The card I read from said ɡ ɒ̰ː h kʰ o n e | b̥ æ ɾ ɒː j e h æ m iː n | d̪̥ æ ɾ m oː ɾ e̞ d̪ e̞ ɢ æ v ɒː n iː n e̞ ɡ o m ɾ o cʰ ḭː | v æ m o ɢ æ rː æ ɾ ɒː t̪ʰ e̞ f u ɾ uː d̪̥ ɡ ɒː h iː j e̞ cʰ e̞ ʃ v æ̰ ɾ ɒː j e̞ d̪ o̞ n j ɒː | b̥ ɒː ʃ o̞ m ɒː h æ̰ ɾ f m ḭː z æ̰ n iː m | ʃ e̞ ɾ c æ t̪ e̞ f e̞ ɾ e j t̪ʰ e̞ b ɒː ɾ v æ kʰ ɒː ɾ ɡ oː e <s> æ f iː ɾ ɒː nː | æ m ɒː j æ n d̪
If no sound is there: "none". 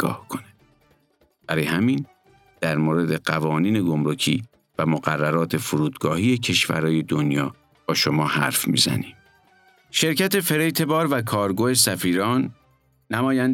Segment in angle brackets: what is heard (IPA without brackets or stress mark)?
s